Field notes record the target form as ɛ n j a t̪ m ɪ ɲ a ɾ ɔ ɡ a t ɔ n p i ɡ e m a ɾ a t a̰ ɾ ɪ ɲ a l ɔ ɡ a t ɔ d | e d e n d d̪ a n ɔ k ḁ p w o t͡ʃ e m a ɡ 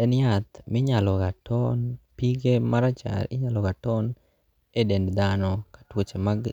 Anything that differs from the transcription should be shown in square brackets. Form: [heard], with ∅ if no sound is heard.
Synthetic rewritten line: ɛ n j a t̪ m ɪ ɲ a [l] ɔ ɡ a t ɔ n p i ɡ e m a ɾ a [t͡ʃ] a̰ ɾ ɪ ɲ a l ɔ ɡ a t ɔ [n] | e d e n d d̪ a n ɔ k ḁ [t] w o t͡ʃ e m a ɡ